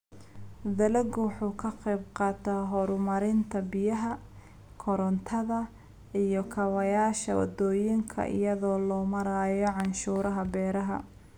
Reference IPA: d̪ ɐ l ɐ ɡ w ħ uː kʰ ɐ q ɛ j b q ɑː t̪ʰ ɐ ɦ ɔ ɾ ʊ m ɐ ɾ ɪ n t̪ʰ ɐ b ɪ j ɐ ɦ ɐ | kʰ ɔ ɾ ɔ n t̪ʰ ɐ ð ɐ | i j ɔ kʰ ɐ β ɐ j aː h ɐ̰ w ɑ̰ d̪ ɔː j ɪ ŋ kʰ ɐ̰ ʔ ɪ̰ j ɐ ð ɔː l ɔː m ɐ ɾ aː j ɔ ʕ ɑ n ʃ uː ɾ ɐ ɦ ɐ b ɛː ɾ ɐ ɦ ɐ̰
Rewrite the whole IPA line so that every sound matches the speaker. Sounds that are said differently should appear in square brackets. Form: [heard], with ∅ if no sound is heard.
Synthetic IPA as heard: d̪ ɐ l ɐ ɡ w ħ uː kʰ ɐ q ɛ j b q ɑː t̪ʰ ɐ ɦ ɔ ɾ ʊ m ɐ ɾ ɪ n t̪ʰ ɐ b ɪ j ɐ ɦ ɐ | kʰ ɔ ɾ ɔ n t̪ʰ ɐ ð ɐ | i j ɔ kʰ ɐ [w] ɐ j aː [ʃ] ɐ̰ w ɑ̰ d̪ ɔː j ɪ ŋ kʰ ɐ̰ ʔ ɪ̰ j ɐ ð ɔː l ɔː m ɐ ɾ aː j ɔ ʕ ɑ n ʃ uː ɾ ɐ ɦ ɐ b ɛː ɾ ɐ ɦ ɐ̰

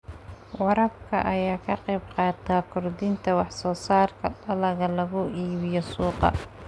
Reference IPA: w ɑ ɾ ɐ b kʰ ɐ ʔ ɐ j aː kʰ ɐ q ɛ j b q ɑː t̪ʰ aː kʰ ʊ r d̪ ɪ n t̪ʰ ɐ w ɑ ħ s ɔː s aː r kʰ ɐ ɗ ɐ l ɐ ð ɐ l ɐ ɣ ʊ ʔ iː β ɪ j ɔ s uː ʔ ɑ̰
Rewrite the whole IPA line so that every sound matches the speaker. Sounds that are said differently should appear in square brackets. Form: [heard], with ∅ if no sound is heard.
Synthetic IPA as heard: w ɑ ɾ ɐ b kʰ ɐ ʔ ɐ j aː kʰ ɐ q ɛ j b q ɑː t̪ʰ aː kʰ ʊ r d̪ ɪ n t̪ʰ ɐ w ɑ ħ s ɔː s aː r kʰ ɐ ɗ ɐ l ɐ [ɣ] ɐ l ɐ ɣ ʊ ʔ iː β ɪ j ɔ s uː [q] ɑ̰

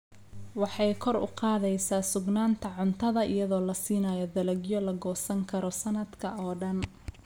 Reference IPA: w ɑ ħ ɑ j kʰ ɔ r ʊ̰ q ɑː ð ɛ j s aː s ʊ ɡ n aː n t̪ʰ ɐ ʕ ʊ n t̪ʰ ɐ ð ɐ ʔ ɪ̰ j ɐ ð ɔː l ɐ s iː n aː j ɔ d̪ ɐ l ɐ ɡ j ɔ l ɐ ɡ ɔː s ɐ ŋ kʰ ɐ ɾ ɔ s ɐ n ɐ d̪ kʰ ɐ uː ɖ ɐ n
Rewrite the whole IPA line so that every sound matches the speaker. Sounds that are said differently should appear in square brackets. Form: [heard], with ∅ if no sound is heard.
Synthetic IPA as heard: w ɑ ħ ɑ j kʰ ɔ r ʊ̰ q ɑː ð ɛ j s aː s ʊ ɡ n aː n t̪ʰ ɐ ʕ ʊ n t̪ʰ ɐ ð ɐ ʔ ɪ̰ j ɐ ð ɔː l ɐ s iː n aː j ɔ d̪ ɐ l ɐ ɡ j ɔ l ɐ ɡ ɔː s ɐ ŋ kʰ ɐ ɾ ɔ s ɐ n ɐ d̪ kʰ ɐ [ɔː] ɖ ɐ n

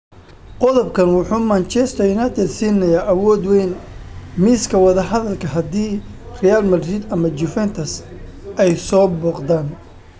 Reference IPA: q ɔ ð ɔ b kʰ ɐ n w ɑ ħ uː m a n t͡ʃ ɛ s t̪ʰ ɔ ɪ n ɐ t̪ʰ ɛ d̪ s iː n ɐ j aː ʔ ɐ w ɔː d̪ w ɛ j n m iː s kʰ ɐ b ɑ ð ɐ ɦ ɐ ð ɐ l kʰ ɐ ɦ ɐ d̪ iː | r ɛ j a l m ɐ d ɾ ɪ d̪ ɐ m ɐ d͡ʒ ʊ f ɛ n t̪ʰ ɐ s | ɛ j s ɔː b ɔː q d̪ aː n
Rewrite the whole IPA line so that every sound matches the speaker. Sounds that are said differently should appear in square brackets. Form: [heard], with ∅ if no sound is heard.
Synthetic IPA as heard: q ɔ ð ɔ b kʰ ɐ n w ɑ ħ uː m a n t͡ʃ ɛ s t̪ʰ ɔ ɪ n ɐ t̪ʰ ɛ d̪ s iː n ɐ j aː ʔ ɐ w ɔː d̪ w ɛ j n m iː s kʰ ɐ [w] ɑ ð ɐ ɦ ɐ ð ɐ l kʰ ɐ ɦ ɐ d̪ iː | r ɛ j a l m ɐ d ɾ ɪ d̪ ɐ m ɐ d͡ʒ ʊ f ɛ n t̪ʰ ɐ s | ɛ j s ɔː b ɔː q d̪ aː n

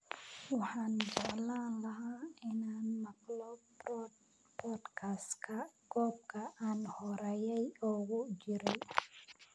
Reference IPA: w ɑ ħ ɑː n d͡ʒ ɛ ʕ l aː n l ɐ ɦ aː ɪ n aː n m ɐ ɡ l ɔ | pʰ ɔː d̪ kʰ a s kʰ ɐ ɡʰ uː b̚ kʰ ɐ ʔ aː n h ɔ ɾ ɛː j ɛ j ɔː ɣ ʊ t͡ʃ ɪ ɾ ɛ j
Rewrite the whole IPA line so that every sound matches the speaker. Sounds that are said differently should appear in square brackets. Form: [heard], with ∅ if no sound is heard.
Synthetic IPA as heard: w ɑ ħ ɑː n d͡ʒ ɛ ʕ l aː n l ɐ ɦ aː ɪ n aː n m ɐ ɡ l ɔ | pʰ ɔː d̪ kʰ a s kʰ ɐ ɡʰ [ɔː] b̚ kʰ ɐ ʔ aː n h ɔ ɾ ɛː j ɛ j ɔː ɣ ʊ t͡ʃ ɪ ɾ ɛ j

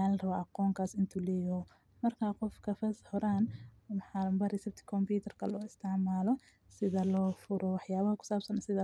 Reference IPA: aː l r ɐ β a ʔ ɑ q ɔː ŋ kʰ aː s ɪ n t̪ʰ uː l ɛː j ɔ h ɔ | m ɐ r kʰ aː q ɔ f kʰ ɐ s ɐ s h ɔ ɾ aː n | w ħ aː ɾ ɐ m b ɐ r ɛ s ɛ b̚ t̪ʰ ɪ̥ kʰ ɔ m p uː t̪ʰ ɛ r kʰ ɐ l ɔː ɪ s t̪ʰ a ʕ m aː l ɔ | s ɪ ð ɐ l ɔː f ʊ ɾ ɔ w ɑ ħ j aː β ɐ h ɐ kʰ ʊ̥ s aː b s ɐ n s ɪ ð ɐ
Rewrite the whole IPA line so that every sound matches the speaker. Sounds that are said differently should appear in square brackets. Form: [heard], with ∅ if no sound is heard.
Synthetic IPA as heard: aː l r ɐ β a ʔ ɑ q ɔː ŋ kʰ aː s ɪ n t̪ʰ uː l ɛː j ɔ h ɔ | m ɐ r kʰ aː q ɔ f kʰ ɐ [f] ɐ s h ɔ ɾ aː n | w ħ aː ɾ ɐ m b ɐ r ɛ s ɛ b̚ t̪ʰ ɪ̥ kʰ ɔ m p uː t̪ʰ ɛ r kʰ ɐ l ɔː ɪ s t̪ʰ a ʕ m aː l ɔ | s ɪ ð ɐ l ɔː f ʊ ɾ ɔ w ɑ ħ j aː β ɐ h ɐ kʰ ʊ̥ s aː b s ɐ n s ɪ ð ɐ

